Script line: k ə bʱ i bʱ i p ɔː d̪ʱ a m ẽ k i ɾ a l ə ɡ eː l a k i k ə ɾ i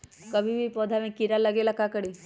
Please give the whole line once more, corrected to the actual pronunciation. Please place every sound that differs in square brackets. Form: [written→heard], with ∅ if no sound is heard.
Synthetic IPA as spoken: k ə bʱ i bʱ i p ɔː d̪ʱ a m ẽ k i ɾ a l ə ɡ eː l a k [i→a] k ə [ɾ→ɽ] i